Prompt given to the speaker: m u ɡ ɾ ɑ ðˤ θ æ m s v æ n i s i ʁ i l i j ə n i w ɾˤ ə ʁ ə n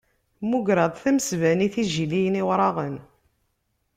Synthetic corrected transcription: m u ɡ ɾ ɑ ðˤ θ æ m s v æ n i θ i ʒ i l i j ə n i w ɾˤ ɑ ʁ ə n